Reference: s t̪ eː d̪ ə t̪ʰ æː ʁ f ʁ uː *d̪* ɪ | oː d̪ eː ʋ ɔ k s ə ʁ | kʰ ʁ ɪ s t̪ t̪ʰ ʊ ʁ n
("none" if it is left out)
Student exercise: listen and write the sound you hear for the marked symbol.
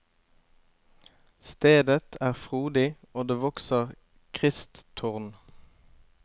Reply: d̪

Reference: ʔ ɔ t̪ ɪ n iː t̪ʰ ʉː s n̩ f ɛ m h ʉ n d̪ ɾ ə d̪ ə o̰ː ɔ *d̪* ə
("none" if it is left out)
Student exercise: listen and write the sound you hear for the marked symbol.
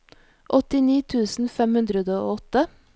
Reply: t̪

